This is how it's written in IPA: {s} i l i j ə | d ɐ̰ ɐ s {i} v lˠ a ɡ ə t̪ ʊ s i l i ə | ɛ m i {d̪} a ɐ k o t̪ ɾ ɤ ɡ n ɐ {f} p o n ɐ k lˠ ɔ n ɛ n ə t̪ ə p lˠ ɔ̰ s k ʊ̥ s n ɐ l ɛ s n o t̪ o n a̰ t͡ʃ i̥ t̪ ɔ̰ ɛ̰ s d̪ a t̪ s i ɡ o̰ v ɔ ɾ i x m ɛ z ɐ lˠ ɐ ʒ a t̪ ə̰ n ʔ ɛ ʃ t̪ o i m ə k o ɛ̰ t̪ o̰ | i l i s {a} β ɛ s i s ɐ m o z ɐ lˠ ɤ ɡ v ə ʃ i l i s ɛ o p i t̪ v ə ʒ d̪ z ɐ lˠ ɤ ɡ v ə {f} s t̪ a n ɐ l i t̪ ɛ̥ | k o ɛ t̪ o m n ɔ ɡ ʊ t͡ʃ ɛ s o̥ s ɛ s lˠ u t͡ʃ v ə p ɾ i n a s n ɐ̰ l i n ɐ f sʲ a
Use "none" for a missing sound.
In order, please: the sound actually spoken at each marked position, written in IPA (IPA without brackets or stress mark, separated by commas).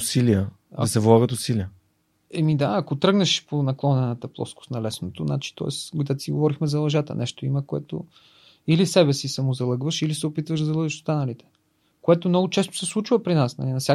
s, ɛ, d̪, ʃ, ɛ, ʃ